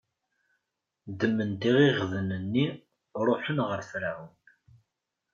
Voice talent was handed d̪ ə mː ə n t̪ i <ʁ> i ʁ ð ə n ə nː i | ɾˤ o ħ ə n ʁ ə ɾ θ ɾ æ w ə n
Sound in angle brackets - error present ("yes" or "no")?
no